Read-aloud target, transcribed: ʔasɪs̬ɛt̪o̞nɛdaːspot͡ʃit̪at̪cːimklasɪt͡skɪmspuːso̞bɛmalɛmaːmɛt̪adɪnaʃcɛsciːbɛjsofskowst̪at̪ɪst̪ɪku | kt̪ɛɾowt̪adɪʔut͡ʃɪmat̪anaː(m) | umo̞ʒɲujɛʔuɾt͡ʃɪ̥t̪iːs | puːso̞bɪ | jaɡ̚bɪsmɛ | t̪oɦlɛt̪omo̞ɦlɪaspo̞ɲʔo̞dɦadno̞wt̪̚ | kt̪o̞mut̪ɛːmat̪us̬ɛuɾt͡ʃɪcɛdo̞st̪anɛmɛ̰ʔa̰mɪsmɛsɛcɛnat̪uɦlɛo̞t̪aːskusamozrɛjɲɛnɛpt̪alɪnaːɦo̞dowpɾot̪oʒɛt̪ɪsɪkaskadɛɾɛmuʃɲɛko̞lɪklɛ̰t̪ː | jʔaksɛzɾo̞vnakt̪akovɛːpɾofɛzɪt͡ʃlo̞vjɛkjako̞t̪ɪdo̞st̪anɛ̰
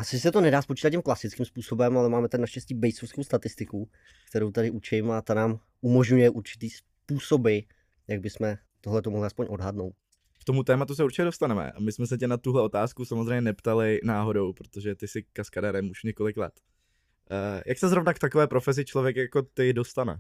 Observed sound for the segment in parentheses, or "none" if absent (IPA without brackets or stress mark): m